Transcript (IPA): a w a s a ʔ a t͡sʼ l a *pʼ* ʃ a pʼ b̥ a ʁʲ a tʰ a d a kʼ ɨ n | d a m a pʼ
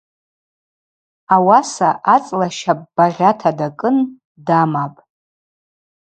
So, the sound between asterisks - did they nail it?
no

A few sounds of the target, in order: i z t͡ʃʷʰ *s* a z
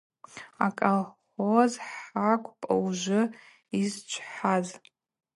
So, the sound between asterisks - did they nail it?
no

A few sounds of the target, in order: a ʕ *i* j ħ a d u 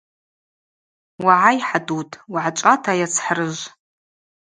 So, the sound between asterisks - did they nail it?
no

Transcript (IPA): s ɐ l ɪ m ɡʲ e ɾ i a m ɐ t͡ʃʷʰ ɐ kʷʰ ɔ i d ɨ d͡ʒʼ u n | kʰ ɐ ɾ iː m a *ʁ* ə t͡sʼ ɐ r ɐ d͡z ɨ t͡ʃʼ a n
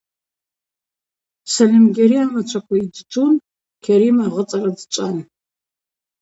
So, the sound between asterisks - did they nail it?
yes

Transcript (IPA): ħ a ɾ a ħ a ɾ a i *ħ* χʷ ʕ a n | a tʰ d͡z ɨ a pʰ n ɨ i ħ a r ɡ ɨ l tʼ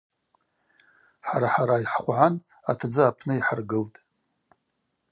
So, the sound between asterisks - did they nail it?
yes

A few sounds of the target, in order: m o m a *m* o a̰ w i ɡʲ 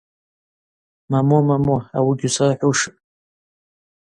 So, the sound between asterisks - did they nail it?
yes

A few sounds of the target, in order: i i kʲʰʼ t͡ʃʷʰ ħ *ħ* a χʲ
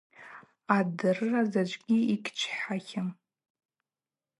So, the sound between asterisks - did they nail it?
yes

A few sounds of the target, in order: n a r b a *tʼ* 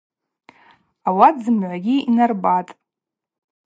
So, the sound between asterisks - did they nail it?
yes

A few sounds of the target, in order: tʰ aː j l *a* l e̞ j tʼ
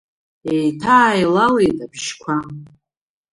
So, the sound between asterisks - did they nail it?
yes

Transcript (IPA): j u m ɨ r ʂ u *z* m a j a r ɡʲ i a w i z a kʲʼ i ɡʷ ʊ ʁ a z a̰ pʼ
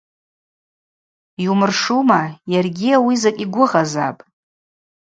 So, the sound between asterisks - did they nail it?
no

